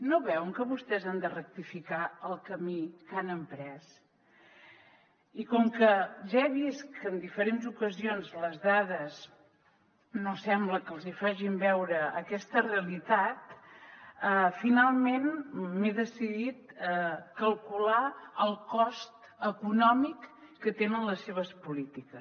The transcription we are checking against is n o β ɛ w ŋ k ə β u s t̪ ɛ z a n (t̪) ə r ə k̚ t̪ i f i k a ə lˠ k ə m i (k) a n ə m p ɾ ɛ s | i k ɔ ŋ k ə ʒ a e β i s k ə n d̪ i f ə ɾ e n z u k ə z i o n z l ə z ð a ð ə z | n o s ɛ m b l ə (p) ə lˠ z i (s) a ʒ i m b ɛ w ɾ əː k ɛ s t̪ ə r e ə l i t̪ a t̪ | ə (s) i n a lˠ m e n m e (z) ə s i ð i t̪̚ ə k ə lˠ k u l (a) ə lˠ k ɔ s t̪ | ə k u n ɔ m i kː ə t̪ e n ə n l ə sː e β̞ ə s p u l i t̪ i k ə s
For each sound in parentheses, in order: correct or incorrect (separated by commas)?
incorrect, correct, incorrect, incorrect, incorrect, incorrect, correct